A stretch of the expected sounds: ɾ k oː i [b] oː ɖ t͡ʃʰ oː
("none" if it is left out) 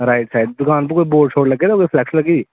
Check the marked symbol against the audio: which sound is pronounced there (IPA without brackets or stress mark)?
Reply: b